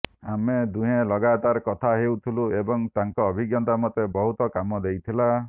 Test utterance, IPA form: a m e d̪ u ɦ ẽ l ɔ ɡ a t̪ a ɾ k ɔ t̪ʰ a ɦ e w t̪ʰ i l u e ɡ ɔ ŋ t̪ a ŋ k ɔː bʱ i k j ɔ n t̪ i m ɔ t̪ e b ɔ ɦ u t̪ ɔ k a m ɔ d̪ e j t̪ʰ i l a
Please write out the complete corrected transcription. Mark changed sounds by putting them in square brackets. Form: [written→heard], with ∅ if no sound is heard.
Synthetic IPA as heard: a m e d̪ u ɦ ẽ l ɔ ɡ a t̪ a ɾ k ɔ t̪ʰ a ɦ e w t̪ʰ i l u e [ɡ→b] ɔ ŋ t̪ a ŋ k ɔː bʱ i [k→ɡ] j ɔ n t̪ [i→a] m ɔ t̪ e b ɔ ɦ u t̪ ɔ k a m ɔ d̪ e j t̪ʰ i l a